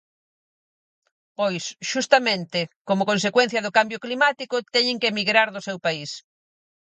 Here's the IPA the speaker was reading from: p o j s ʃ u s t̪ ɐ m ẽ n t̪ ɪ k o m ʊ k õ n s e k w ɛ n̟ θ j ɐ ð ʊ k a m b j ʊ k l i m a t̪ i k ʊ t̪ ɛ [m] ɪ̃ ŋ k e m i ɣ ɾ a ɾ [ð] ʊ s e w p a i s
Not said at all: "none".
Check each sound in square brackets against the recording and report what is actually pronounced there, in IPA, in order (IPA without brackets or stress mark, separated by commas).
ɲ, ð